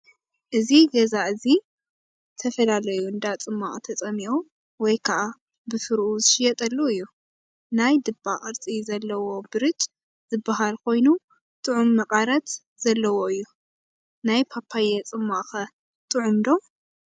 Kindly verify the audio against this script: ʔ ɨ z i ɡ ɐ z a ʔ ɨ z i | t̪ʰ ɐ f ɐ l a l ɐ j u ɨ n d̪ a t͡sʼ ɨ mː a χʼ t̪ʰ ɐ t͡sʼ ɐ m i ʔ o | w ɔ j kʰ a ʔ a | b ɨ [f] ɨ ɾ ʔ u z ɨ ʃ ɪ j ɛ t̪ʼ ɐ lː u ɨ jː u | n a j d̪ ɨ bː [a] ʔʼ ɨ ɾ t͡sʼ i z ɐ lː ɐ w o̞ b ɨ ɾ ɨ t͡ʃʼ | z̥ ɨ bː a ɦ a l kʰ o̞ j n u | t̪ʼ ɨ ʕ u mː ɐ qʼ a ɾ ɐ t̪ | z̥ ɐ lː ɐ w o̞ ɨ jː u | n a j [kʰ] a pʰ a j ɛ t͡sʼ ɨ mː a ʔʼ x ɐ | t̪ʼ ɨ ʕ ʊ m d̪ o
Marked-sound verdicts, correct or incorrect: correct, correct, incorrect

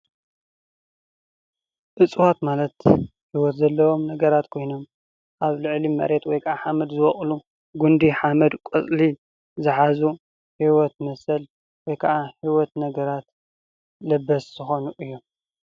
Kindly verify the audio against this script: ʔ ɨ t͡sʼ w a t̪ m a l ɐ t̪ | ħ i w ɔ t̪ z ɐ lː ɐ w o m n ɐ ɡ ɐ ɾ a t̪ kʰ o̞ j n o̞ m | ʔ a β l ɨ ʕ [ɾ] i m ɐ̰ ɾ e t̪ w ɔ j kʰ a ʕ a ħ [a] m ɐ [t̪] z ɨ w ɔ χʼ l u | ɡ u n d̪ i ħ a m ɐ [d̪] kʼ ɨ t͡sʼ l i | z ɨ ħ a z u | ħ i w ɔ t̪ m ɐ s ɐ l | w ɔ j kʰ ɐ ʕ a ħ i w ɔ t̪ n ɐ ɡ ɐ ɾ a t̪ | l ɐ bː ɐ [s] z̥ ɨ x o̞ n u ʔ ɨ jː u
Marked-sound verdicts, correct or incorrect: incorrect, correct, incorrect, correct, correct

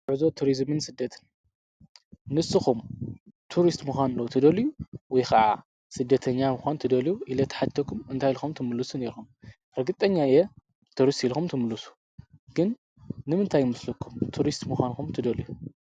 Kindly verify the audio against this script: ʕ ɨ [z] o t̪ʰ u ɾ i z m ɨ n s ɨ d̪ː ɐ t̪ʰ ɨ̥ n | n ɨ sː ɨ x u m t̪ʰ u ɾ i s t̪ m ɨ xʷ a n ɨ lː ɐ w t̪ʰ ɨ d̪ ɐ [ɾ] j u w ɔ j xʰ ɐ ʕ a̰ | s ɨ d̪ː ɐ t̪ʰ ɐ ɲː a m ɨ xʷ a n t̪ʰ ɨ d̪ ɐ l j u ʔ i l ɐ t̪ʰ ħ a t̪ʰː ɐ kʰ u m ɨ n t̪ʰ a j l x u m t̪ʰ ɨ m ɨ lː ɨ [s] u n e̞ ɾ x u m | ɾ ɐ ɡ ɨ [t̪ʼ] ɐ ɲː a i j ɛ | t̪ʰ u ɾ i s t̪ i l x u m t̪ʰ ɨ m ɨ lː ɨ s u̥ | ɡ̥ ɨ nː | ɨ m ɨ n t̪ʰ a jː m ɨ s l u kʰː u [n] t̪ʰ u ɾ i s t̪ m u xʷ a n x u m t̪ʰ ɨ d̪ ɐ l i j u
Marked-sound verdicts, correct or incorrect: correct, incorrect, correct, correct, incorrect

